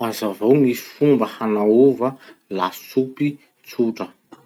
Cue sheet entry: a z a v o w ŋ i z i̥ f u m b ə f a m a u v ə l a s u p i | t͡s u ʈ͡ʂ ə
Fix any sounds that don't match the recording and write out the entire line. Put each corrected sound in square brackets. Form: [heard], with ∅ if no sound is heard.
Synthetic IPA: a z a v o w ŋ i [s] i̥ f u m b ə [h] a [n] a u v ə l a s u p i | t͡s u ʈ͡ʂ ə